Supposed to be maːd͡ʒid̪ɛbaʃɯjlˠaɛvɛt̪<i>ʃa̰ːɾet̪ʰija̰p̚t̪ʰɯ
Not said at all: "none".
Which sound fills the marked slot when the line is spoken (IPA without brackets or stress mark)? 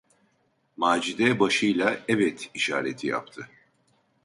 i